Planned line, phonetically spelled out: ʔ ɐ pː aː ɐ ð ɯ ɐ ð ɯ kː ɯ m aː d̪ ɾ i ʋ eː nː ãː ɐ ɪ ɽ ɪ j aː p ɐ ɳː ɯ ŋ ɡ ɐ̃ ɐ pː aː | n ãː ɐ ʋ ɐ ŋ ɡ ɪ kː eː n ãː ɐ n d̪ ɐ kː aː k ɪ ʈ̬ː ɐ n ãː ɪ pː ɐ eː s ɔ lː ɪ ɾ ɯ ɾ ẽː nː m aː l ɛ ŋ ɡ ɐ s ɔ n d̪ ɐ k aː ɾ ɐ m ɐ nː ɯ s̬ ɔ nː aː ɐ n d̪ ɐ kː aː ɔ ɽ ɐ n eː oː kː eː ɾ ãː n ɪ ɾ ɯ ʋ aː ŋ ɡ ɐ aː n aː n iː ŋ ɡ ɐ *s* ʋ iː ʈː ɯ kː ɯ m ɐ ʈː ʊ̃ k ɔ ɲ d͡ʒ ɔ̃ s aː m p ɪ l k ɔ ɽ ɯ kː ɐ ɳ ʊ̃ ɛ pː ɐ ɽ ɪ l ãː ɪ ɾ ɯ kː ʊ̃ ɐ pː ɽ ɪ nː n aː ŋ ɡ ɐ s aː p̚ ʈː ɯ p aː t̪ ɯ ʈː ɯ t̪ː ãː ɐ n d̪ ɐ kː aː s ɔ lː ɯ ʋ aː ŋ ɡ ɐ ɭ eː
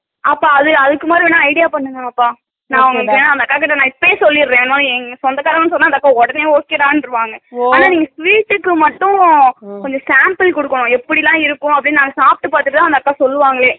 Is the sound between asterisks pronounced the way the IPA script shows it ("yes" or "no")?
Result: yes